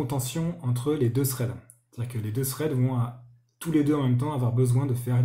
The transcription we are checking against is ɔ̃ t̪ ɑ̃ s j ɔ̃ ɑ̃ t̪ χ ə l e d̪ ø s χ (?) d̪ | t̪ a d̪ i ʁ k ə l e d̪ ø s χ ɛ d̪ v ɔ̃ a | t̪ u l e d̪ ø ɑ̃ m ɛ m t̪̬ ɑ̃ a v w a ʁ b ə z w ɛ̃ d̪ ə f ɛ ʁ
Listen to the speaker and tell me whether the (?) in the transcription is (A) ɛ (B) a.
A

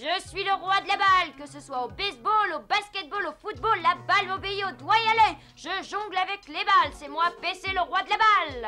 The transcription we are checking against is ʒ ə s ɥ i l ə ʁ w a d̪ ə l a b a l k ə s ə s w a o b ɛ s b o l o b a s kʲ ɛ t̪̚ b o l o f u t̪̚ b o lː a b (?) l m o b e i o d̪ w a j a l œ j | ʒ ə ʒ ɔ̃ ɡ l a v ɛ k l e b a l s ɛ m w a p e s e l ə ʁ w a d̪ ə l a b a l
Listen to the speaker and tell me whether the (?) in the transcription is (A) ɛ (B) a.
B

